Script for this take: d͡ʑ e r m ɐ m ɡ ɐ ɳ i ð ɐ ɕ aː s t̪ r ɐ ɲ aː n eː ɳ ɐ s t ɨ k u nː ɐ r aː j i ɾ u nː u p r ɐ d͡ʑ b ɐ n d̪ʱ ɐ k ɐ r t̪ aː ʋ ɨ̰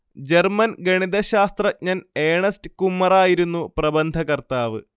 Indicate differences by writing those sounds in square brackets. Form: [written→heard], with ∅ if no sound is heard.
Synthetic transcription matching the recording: d͡ʑ e r m ɐ [m→n] ɡ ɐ ɳ i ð ɐ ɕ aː s t̪ r ɐ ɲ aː n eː ɳ ɐ s t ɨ k u [nː→mː] ɐ r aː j i ɾ u nː u p r ɐ [d͡ʑ→∅] b ɐ n d̪ʱ ɐ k ɐ r t̪ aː ʋ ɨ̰